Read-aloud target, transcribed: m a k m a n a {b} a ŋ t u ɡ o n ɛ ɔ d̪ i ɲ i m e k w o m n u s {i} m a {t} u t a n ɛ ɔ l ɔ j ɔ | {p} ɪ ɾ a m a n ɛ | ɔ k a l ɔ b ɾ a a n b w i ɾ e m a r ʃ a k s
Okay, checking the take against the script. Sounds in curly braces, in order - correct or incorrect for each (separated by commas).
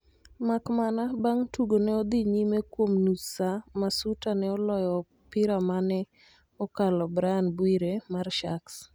correct, incorrect, incorrect, correct